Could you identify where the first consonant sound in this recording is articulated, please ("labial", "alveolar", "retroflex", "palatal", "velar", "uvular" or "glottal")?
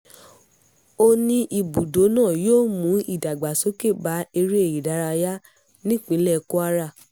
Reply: alveolar